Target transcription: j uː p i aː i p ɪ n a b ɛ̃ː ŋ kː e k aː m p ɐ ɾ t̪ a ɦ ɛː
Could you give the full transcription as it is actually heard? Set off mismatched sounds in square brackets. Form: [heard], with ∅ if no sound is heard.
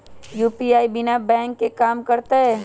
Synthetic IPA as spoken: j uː p i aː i [b] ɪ n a b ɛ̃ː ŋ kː e k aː m [k] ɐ ɾ t̪ a ɦ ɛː